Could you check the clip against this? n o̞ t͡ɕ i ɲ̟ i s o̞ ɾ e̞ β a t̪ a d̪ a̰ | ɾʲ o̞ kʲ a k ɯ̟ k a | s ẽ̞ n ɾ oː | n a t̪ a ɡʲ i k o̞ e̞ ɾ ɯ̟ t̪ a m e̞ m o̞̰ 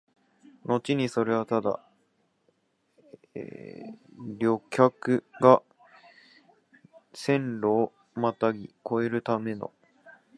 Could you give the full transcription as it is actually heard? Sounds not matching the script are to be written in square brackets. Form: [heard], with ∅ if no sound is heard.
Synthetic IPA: n o̞ t͡ɕ i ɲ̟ i s o̞ ɾ e̞ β a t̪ a d̪ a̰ | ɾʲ o̞ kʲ a k ɯ̟ [ɡ] a | s ẽ̞ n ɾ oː | [m] a t̪ a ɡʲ i k o̞ e̞ ɾ ɯ̟ t̪ a m e̞ [n] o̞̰

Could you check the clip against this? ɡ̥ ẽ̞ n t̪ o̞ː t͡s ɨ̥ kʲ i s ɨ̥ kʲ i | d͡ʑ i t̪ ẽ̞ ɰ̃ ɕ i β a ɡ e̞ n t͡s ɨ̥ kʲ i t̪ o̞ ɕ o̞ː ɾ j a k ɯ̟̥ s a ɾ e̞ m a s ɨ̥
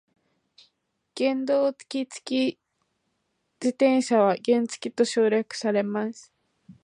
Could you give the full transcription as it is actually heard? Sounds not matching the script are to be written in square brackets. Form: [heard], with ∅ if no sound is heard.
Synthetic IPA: ɡ̥ ẽ̞ n [d̪] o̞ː t͡s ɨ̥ kʲ i [t͡s] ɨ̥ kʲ i | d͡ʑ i t̪ ẽ̞ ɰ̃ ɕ [a] β a ɡ [ẽ̞] n t͡s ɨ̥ kʲ i t̪ o̞ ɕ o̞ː ɾ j a k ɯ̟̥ s a ɾ e̞ m a s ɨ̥

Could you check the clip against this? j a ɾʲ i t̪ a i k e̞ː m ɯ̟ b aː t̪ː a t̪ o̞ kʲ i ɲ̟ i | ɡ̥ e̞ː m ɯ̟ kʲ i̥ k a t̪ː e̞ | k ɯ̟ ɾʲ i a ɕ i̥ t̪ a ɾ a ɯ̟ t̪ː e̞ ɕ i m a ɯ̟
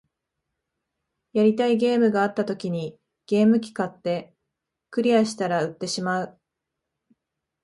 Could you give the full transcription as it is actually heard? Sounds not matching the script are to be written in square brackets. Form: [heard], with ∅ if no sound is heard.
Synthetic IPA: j a ɾʲ i t̪ a i [ɡ] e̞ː m ɯ̟ [ɡ] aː t̪ː a t̪ o̞ kʲ i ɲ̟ i | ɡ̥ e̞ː m ɯ̟ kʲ i̥ k a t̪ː e̞ | k ɯ̟ ɾʲ i a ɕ i̥ t̪ a ɾ a ɯ̟ t̪ː e̞ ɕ i m a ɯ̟

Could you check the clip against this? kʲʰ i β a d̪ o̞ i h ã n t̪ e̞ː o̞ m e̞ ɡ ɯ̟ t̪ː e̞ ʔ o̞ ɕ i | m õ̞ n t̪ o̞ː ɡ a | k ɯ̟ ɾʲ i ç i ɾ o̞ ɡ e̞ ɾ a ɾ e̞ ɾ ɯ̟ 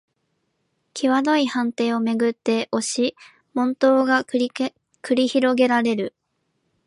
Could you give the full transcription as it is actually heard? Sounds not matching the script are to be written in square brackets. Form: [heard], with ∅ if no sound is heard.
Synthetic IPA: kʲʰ i β a d̪ o̞ i h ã n t̪ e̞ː o̞ m e̞ ɡ ɯ̟ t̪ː e̞ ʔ o̞ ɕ i | m õ̞ n t̪ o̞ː ɡ a | k ɯ̟ ɾʲ i ç i ɾ o̞ ɡ e̞ ɾ a ɾ e̞ ɾ ɯ̟

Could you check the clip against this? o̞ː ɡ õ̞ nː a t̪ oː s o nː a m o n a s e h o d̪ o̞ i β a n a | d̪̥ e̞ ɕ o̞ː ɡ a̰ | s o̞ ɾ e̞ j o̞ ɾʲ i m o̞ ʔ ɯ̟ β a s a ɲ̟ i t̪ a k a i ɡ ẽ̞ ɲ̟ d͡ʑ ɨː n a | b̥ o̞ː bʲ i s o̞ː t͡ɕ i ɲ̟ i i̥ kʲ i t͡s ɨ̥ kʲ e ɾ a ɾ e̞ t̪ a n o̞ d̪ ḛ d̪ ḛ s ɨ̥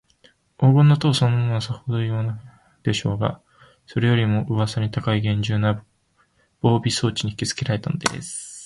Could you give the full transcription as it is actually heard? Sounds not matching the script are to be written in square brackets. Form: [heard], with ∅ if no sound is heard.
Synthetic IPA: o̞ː ɡ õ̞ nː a t̪ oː s o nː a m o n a s [a] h o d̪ o̞ i β a n a | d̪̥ e̞ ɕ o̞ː ɡ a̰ | s o̞ ɾ e̞ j o̞ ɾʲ i m o̞ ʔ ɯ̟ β a s a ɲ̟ i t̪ a k a i ɡ ẽ̞ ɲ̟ d͡ʑ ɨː n a | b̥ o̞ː bʲ i s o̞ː t͡ɕ i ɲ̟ i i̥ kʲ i t͡s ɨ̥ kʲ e ɾ a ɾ e̞ t̪ a n o̞ d̪ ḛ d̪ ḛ s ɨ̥

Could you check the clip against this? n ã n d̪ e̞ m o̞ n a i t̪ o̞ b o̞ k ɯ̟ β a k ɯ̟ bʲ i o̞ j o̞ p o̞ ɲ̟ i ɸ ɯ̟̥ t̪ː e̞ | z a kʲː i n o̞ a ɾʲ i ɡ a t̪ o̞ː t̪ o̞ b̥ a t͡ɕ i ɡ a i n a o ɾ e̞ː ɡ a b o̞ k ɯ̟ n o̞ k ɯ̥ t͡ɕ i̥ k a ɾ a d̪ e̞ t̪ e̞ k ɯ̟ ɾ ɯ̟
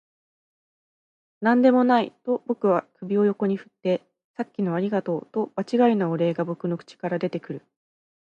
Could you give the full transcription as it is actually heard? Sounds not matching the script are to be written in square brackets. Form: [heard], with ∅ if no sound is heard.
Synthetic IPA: n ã n d̪ e̞ m o̞ n a i t̪ o̞ b o̞ k ɯ̟ β a k ɯ̟ bʲ i o̞ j o̞ [k] o̞ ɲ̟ i ɸ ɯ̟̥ t̪ː e̞ | [s] a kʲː i n o̞ a ɾʲ i ɡ a t̪ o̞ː t̪ o̞ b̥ a t͡ɕ i ɡ a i n a o ɾ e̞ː ɡ a b o̞ k ɯ̟ n o̞ k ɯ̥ t͡ɕ i̥ k a ɾ a d̪ e̞ t̪ e̞ k ɯ̟ ɾ ɯ̟

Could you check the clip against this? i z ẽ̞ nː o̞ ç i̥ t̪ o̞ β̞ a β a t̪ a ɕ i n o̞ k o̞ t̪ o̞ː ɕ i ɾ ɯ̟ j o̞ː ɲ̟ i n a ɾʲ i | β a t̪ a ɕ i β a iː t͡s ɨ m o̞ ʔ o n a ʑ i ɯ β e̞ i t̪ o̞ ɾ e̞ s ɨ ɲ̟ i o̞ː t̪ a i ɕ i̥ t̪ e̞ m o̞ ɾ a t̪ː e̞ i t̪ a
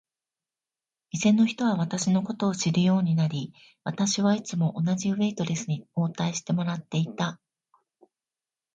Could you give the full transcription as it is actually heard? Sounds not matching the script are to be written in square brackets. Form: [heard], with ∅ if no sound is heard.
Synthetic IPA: i z ẽ̞ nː o̞ ç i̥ t̪ o̞ β̞ a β a t̪ a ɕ i n o̞ k o̞ t̪ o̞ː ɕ i ɾ ɯ̟ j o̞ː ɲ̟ i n a ɾʲ i | β a t̪ a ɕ i β a [i] t͡s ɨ m o̞ ʔ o n a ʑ i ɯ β e̞ i t̪ o̞ ɾ e̞ s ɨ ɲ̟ i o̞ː t̪ a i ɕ i̥ t̪ e̞ m o̞ ɾ a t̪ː e̞ i t̪ a

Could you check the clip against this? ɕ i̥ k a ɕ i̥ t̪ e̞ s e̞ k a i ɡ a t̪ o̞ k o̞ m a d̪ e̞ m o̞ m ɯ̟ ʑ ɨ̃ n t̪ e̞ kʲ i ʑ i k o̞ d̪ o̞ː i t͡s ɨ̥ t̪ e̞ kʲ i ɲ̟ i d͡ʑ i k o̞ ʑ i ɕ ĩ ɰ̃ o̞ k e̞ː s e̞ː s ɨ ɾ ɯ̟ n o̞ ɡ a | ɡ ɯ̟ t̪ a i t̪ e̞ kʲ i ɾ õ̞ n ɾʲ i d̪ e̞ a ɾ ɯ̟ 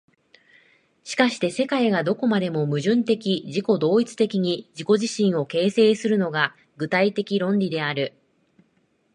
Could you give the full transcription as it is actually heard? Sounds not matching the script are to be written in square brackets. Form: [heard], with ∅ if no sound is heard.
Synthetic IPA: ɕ i̥ k a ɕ i̥ t̪ e̞ s e̞ k a i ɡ a [d̪] o̞ k o̞ m a d̪ e̞ m o̞ m ɯ̟ ʑ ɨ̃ n t̪ e̞ kʲ i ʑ i k o̞ d̪ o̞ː i t͡s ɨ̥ t̪ e̞ kʲ i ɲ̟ i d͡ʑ i k o̞ ʑ i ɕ ĩ ɰ̃ o̞ k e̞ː s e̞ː s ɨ ɾ ɯ̟ n o̞ ɡ a | ɡ ɯ̟ t̪ a i t̪ e̞ kʲ i ɾ õ̞ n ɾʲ i d̪ e̞ a ɾ ɯ̟

